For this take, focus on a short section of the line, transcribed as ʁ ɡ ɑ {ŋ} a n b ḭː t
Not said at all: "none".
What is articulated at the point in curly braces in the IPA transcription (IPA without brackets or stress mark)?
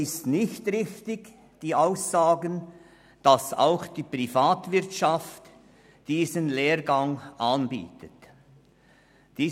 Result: ŋ